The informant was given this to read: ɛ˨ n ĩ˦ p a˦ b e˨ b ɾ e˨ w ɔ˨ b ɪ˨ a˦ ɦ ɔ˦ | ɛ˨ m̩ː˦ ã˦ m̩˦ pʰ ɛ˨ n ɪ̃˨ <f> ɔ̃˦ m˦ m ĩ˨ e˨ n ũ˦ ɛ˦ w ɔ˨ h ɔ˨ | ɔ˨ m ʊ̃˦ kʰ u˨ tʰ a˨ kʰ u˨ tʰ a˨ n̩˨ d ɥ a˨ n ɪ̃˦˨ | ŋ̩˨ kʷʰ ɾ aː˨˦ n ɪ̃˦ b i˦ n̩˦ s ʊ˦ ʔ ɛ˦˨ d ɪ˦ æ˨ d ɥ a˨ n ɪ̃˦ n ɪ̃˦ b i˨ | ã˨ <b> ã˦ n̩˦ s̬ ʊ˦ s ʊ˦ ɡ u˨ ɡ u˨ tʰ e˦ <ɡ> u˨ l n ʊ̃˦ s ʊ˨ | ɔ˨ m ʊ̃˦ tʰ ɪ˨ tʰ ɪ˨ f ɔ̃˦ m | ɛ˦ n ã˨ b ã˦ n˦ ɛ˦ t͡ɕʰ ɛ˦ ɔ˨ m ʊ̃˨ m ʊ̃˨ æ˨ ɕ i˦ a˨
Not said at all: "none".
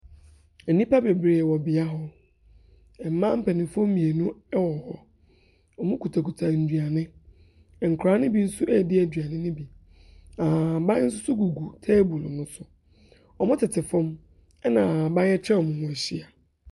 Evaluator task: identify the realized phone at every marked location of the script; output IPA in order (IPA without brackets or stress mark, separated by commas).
f, b, b